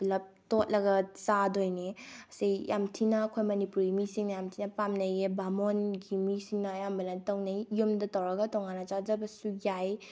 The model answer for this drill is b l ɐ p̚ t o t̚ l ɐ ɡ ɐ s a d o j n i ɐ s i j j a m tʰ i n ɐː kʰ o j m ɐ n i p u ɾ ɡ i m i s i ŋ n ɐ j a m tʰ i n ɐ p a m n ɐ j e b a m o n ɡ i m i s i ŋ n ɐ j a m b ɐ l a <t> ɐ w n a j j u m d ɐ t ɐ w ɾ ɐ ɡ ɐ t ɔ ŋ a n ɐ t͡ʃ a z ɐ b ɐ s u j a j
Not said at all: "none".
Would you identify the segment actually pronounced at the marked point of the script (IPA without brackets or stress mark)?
t